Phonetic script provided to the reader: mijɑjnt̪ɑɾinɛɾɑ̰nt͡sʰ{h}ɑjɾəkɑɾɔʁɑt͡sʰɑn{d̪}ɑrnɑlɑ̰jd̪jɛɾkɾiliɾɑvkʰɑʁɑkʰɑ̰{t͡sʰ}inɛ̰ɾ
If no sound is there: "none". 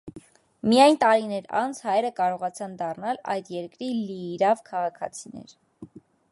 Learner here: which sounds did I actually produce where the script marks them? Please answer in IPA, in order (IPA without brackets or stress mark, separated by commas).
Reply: h, d̪, t͡sʰ